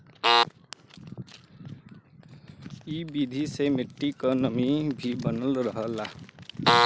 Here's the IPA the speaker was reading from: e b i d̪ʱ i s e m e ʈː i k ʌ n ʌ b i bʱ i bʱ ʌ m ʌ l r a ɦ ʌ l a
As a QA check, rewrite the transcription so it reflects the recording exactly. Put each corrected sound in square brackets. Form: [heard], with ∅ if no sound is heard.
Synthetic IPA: [i] b i d̪ʱ i s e m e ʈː i k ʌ n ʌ [m] i bʱ i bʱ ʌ [n] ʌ l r [ʌ] ɦ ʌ l a